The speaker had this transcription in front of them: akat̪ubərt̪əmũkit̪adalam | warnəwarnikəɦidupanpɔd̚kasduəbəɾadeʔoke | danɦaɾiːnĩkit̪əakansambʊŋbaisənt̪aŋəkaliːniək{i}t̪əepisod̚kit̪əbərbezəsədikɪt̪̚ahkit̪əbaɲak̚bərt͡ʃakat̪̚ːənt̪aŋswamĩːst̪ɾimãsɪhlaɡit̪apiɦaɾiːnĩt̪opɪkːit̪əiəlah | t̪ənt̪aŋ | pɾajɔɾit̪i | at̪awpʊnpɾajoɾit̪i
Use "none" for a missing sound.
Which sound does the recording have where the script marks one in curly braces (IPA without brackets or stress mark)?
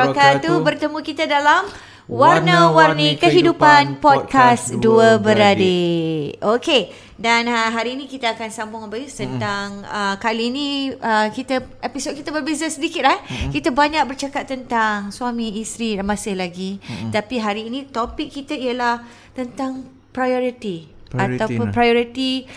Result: i